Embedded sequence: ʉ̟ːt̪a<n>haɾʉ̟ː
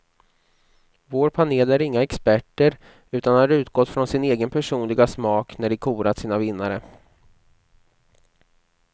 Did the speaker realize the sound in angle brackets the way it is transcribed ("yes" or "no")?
yes